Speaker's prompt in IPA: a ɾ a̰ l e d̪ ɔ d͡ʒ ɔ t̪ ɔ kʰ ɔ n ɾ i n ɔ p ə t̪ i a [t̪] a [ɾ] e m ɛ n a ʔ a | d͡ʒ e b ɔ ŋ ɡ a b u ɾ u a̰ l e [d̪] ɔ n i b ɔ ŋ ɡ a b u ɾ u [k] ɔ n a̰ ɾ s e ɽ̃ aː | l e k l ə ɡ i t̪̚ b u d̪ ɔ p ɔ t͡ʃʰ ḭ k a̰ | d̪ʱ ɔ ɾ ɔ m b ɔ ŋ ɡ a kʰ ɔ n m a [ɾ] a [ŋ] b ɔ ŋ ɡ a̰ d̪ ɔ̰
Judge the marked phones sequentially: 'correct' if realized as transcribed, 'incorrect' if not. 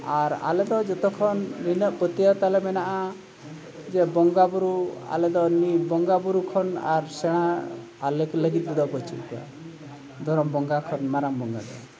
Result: correct, incorrect, correct, incorrect, correct, incorrect

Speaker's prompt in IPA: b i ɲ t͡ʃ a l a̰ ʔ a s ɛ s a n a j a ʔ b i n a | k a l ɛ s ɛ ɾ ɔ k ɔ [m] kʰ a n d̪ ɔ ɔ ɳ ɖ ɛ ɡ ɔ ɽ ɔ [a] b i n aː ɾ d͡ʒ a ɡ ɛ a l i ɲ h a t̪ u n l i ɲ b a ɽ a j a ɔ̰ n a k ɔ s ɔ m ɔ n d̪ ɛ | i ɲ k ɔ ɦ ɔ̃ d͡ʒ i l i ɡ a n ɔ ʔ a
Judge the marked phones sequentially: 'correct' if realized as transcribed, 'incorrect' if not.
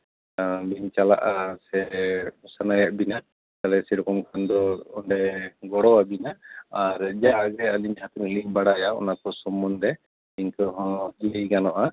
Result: correct, correct

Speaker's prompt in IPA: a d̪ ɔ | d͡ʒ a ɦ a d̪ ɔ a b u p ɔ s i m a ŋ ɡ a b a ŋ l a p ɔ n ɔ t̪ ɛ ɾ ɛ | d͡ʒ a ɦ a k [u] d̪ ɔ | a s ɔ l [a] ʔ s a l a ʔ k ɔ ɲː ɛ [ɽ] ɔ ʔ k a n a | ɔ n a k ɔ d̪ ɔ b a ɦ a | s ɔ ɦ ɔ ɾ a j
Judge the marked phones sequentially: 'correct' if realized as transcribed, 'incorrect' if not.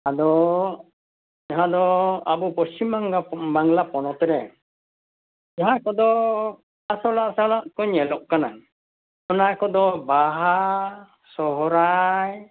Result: incorrect, correct, incorrect

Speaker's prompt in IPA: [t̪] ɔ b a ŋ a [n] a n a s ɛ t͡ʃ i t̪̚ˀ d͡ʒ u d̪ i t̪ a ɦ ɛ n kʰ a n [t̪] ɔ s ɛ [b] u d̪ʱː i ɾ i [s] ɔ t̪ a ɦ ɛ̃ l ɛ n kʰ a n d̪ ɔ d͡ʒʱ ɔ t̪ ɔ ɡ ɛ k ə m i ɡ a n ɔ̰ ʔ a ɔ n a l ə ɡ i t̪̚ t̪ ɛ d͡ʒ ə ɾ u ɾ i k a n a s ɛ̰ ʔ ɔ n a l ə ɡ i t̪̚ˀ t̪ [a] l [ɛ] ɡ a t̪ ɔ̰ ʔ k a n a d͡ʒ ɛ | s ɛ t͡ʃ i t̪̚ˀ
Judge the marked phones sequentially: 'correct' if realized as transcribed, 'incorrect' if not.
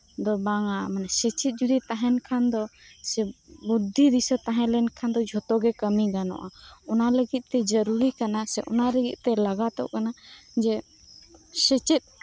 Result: incorrect, incorrect, incorrect, correct, correct, incorrect, incorrect

